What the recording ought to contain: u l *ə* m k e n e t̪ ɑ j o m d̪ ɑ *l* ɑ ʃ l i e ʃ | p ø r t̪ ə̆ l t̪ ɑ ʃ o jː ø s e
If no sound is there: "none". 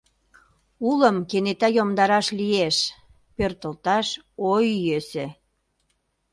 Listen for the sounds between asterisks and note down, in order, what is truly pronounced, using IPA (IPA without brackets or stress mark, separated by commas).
ə, ɾ